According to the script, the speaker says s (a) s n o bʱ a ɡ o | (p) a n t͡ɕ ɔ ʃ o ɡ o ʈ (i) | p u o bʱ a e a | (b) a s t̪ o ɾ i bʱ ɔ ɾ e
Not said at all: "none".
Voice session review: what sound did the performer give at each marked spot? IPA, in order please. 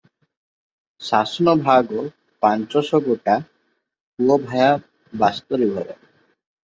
a, p, a, b

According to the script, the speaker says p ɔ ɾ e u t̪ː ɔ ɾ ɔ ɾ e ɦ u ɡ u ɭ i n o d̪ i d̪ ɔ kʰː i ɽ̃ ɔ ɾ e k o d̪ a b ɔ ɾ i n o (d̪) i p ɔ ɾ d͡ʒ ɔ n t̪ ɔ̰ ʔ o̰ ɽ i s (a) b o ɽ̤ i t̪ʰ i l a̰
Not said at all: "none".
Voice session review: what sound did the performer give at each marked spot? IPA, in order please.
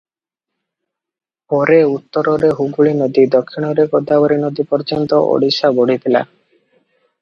d̪, a

